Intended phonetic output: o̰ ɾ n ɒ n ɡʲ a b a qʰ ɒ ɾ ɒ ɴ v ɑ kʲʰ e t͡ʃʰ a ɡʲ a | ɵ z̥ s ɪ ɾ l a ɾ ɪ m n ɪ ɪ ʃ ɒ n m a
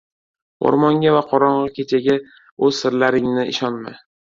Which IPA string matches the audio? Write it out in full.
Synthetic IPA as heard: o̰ ɾ m ɒ ŋ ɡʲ a v a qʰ ɒ ɾ ɒ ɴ ʁ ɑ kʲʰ e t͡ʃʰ a ɡʲ a | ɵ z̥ s ɪ ɾ l a ɾ ɪ ŋ n ɪ ɪ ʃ ɒ n m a